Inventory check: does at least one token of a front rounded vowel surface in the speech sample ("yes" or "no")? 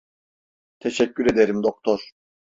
yes